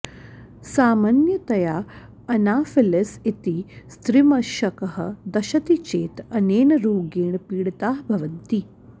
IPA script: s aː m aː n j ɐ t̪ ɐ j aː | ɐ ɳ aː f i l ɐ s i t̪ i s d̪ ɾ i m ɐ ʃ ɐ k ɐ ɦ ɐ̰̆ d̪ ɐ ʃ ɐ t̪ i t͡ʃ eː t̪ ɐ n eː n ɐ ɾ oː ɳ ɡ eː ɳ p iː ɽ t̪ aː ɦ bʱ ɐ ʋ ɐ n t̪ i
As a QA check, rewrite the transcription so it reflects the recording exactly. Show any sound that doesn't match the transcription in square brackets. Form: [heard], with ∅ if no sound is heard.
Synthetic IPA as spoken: s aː m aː n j ɐ t̪ ɐ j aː | ɐ [n] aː f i l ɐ s i t̪ i s [t̪] ɾ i m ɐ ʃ ɐ k ɐ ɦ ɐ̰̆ d̪ ɐ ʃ ɐ t̪ i t͡ʃ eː t̪ ɐ n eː n ɐ ɾ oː [∅] ɡ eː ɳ p iː ɽ t̪ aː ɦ bʱ ɐ ʋ ɐ n t̪ i